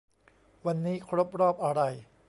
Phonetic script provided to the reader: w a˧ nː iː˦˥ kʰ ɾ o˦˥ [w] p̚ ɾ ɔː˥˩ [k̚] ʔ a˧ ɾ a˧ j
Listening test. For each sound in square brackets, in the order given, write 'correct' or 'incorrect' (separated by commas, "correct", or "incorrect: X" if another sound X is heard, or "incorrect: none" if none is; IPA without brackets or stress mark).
incorrect: none, incorrect: p̚